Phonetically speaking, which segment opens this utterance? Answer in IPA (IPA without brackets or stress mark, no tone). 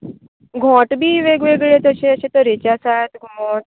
ɡʱ